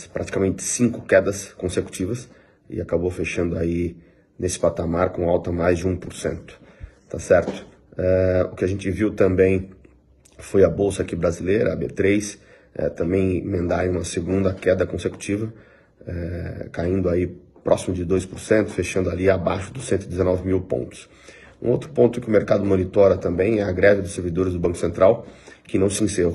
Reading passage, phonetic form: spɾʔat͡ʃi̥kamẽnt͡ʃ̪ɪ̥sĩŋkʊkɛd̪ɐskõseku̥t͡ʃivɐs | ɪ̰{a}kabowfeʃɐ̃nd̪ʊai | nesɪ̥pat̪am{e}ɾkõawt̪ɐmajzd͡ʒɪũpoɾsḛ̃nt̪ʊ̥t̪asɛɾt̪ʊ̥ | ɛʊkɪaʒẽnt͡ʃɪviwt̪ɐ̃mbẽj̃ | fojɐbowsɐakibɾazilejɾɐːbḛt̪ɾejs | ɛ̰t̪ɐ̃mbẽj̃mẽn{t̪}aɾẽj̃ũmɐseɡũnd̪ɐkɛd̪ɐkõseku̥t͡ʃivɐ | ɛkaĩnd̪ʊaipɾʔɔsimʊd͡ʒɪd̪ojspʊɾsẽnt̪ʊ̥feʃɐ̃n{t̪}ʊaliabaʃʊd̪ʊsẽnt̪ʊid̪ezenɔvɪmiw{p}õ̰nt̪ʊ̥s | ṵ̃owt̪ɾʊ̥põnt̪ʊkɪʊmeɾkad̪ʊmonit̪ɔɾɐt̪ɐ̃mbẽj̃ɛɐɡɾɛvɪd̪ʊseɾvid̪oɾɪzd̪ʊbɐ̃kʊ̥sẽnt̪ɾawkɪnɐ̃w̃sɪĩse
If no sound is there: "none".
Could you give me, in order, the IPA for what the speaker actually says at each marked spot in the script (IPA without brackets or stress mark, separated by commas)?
a, a, d̪, d̪, p